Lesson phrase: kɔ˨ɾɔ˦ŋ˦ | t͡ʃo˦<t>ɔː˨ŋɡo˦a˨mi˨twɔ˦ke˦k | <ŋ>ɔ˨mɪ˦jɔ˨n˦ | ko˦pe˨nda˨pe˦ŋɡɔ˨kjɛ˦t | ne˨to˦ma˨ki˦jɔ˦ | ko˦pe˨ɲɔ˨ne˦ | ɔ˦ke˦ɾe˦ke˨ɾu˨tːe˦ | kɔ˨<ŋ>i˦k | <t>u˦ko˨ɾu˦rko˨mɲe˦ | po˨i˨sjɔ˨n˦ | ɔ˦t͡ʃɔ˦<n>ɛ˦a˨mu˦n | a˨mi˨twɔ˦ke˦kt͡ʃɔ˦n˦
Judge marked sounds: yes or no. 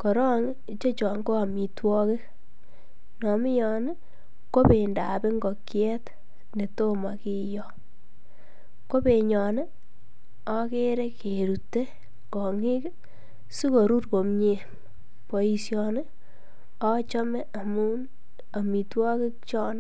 no, no, yes, no, no

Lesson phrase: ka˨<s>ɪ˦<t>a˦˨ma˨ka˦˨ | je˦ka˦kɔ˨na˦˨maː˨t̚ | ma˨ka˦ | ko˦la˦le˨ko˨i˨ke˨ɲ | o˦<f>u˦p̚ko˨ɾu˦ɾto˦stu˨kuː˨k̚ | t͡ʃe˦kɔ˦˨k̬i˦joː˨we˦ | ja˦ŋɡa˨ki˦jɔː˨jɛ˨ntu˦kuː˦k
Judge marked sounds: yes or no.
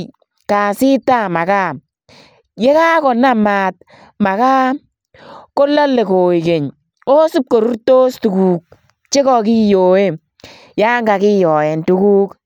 yes, yes, no

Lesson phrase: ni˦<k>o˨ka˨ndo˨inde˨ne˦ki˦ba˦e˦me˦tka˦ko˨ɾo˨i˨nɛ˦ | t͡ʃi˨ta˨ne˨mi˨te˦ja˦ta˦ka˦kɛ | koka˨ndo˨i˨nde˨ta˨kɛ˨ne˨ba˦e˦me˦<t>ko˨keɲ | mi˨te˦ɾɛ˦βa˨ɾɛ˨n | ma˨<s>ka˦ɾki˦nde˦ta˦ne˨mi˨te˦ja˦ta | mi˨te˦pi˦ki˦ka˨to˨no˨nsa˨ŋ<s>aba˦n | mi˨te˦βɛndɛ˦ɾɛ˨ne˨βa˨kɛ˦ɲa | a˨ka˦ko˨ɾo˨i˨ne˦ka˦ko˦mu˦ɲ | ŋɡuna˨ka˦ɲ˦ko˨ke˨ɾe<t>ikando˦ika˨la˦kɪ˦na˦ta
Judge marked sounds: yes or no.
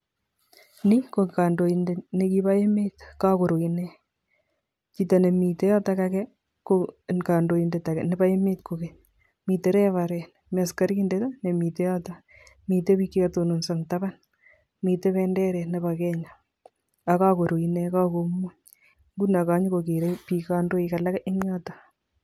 yes, yes, yes, no, no

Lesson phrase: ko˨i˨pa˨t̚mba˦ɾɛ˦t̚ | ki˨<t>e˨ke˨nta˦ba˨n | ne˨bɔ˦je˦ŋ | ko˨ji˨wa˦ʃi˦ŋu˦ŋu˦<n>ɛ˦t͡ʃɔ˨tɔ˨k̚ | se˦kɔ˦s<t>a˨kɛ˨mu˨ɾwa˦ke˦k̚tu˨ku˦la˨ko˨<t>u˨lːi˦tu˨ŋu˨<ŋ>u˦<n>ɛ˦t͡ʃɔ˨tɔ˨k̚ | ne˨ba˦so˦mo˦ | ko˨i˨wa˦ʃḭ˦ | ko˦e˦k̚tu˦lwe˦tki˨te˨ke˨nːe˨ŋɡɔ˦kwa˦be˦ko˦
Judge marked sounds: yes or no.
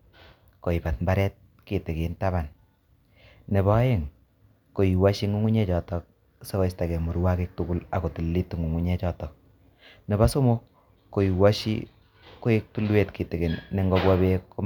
yes, no, yes, yes, yes, no

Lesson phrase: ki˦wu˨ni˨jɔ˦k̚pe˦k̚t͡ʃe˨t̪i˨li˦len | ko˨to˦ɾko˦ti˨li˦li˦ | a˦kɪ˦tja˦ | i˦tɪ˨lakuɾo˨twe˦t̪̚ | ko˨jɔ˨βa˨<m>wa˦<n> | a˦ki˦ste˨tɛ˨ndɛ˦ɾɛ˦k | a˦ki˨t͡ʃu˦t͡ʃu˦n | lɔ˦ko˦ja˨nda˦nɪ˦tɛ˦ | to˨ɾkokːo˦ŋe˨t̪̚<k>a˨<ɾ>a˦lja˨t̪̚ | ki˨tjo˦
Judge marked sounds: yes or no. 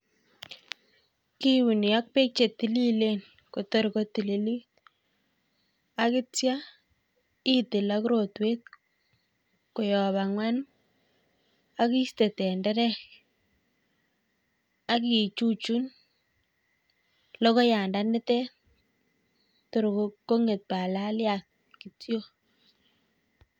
no, yes, no, no

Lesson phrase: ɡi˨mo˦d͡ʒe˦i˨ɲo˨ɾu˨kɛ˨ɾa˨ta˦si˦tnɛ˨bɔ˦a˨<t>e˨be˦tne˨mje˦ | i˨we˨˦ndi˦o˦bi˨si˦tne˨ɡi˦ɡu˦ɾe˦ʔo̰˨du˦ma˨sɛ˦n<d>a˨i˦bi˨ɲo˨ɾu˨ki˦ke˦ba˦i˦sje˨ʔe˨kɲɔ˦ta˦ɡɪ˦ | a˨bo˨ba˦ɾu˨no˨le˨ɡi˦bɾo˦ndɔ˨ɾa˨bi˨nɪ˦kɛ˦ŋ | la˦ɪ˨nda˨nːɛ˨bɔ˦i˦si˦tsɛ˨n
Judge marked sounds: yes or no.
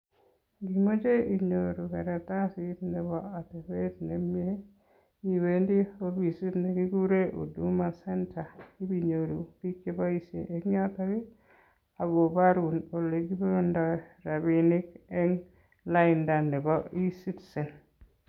yes, no

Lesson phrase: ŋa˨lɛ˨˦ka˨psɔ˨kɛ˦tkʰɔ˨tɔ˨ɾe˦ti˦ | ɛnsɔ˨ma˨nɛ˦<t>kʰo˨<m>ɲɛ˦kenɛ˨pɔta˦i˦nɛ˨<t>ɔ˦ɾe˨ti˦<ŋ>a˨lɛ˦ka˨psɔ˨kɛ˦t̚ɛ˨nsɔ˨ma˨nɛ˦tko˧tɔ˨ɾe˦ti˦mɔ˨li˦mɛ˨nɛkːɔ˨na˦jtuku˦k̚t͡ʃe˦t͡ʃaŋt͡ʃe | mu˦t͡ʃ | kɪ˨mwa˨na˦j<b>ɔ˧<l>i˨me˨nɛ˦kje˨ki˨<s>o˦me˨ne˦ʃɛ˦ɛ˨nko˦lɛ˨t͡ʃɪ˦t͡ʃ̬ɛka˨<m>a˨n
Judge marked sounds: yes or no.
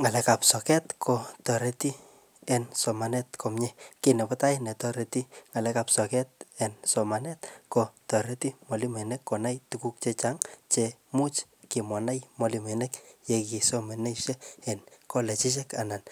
yes, yes, yes, yes, no, yes, yes, no

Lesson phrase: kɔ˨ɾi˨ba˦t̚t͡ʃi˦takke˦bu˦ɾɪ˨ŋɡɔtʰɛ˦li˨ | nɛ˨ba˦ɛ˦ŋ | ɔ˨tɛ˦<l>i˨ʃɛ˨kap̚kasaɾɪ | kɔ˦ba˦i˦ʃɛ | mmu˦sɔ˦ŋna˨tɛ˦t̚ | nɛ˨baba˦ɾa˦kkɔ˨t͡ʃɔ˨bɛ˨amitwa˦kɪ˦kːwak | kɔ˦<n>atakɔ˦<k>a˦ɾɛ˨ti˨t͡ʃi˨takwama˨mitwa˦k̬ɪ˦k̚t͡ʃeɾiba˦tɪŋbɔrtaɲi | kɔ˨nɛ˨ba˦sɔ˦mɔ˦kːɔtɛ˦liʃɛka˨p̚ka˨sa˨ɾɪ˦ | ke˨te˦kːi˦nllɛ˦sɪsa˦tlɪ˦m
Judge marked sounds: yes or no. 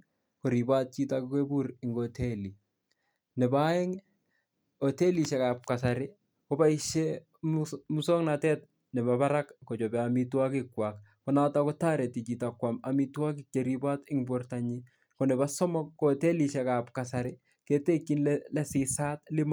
yes, yes, no

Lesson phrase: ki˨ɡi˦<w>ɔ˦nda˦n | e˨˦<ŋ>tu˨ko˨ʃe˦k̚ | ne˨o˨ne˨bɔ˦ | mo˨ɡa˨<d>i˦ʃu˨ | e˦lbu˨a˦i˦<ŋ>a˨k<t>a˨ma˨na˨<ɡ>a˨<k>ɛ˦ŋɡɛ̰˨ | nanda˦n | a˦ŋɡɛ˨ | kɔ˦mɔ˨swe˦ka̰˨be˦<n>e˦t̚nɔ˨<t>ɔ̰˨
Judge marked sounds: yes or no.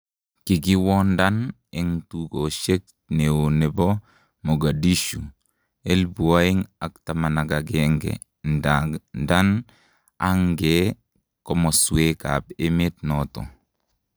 yes, yes, yes, yes, yes, yes, no, no, yes

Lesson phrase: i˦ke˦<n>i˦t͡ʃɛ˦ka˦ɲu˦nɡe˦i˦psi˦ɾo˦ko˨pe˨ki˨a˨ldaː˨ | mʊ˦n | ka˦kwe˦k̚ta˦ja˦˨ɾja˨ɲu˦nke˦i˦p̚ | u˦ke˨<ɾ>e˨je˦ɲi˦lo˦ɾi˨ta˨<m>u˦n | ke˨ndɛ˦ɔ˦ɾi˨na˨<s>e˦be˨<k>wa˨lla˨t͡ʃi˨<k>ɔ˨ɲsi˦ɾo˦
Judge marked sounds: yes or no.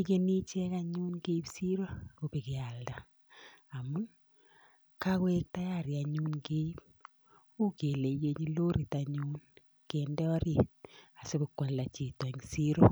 yes, no, no, yes, yes, no

